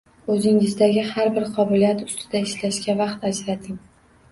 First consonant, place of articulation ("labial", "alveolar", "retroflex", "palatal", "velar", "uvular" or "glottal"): alveolar